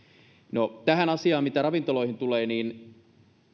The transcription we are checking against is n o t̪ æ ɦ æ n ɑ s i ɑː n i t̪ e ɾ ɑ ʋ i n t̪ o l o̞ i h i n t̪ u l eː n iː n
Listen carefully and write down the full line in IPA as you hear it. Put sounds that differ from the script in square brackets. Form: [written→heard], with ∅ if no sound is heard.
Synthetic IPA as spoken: n o t̪ æ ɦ æ n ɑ s i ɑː [n→m] i t̪ [e→æ] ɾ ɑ ʋ i n t̪ o l o̞ i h i n t̪ u l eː n iː n